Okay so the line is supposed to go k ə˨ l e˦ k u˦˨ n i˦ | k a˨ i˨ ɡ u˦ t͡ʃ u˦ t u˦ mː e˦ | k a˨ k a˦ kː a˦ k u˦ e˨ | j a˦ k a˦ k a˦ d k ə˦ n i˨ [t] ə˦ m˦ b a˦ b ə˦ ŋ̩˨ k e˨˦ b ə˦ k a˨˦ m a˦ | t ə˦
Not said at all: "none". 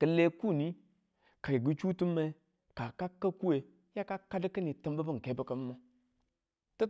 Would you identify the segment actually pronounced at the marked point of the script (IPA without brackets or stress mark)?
t